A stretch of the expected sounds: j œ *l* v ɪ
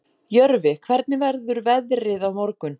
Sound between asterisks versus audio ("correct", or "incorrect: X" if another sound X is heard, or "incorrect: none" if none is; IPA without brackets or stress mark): incorrect: ɾ